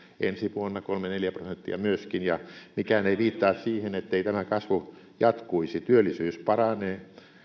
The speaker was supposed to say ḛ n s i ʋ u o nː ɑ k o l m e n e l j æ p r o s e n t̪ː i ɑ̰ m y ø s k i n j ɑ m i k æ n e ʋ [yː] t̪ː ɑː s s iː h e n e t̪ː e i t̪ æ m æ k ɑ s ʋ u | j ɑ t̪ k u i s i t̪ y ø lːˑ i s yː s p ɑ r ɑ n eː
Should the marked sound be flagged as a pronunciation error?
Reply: yes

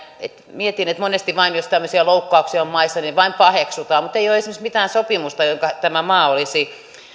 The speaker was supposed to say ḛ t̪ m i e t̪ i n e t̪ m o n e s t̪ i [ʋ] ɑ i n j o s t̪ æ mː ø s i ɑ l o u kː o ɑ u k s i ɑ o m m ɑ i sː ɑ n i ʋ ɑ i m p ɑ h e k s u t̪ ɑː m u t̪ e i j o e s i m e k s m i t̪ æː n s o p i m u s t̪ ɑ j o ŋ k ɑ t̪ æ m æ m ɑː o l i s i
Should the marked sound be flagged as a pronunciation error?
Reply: no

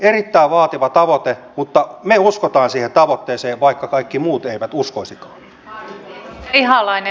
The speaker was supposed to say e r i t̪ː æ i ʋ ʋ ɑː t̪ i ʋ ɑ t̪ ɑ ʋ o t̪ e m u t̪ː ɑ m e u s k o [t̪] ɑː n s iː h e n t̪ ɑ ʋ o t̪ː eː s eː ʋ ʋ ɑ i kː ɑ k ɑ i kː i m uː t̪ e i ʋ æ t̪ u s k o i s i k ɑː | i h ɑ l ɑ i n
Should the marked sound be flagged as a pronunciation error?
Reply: no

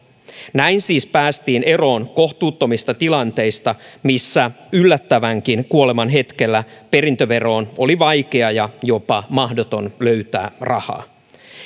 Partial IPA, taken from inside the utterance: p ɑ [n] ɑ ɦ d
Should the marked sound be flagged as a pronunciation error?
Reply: yes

